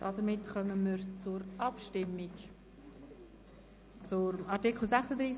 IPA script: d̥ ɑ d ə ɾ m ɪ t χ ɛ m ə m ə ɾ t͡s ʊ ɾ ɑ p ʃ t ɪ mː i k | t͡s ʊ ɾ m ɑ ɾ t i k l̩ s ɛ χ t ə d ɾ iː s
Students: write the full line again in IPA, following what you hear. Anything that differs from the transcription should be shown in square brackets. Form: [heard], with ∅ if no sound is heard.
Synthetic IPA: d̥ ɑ d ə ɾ m ɪ t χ [œ] m ə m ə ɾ t͡s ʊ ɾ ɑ p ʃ t ɪ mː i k | t͡s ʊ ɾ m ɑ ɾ t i k l̩ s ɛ χ [s] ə d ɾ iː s